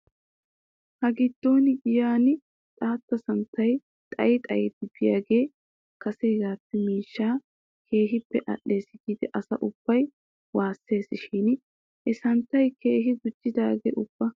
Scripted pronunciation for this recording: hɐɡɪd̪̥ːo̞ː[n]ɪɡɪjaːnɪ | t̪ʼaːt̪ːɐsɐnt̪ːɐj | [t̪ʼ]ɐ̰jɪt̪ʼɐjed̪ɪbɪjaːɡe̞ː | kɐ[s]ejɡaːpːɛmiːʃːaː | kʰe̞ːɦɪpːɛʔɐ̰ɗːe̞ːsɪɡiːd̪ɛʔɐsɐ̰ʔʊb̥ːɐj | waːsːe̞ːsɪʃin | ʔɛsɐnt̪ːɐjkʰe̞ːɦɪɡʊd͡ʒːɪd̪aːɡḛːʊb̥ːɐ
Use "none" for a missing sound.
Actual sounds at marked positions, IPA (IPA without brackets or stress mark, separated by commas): n, t̪ʼ, s